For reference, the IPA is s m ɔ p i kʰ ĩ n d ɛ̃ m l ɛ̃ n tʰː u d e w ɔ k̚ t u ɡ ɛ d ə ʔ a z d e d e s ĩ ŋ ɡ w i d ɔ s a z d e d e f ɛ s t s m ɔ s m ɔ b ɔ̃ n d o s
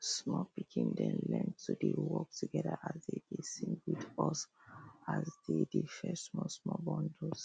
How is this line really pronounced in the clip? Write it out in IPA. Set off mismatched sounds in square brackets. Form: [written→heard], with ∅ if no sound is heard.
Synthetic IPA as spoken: s m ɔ p i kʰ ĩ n d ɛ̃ [m→n] l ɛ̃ n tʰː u d e w ɔ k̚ t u ɡ ɛ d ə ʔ a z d e d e s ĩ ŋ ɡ w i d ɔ s a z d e d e f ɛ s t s m ɔ s m ɔ b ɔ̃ n d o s